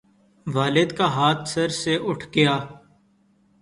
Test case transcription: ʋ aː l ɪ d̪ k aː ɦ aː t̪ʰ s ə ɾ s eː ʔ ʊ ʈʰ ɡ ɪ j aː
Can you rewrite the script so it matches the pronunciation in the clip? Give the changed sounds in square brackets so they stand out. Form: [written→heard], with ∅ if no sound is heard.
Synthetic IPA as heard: ʋ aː l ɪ d̪ k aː ɦ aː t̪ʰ s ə ɾ s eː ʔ ʊ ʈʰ ɡ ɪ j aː